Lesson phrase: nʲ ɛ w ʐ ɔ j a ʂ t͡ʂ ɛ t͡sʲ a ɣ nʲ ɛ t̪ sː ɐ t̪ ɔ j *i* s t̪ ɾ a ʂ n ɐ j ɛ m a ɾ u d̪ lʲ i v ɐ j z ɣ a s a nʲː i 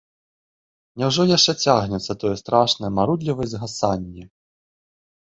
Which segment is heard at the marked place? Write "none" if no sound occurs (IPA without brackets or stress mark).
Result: ɛ